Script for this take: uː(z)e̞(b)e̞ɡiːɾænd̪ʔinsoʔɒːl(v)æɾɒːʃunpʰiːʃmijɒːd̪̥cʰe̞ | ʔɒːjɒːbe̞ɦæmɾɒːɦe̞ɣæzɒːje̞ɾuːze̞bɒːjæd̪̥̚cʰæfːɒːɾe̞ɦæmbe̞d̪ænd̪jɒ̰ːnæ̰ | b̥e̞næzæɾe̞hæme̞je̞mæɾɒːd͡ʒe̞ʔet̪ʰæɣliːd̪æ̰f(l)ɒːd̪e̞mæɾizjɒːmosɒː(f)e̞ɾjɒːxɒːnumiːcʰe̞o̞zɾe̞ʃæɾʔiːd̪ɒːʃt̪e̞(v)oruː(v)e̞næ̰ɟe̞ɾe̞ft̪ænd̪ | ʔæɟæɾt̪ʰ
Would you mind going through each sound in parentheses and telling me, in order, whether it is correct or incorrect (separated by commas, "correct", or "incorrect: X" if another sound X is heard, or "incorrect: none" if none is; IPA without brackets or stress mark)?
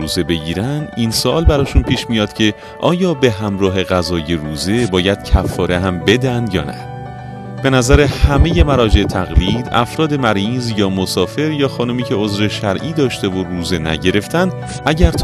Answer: correct, correct, incorrect: b, incorrect: ɾ, correct, correct, incorrect: z